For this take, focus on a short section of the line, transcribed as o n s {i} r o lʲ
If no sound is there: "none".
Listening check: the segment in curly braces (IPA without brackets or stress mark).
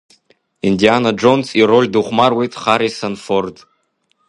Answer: i